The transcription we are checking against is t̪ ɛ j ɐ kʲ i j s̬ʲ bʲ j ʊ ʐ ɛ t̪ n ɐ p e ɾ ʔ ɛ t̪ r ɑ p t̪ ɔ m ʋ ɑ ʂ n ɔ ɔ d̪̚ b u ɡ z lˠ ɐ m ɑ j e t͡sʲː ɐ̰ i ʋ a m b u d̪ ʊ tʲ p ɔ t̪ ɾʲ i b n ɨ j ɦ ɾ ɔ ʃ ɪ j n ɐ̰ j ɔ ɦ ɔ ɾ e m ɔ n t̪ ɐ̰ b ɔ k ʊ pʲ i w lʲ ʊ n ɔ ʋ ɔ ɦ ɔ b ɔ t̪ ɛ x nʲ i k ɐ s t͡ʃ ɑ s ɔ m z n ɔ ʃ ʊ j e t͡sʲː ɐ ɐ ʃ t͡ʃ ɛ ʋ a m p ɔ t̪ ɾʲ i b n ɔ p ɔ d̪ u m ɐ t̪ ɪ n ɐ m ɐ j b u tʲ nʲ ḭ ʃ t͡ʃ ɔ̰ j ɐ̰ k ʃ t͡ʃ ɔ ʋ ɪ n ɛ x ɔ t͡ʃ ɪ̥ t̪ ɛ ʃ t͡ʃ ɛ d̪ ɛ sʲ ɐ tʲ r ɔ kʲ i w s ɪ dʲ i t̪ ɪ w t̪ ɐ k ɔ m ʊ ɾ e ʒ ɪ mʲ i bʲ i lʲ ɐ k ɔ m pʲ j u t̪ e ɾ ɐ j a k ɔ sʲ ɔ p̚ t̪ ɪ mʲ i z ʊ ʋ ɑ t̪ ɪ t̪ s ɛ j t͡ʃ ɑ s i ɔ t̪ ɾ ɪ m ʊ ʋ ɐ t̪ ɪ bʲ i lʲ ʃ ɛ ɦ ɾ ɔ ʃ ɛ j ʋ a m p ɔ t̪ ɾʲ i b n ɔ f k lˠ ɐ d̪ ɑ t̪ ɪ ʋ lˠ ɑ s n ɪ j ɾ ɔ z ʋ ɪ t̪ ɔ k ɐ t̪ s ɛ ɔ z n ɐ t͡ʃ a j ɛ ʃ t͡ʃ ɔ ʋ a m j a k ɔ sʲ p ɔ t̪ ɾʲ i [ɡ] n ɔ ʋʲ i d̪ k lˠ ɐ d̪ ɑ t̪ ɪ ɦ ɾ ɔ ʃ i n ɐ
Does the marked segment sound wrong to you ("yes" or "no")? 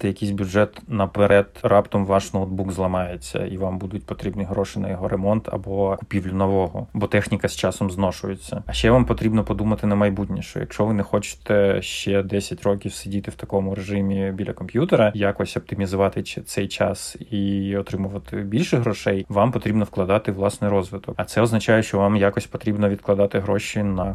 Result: yes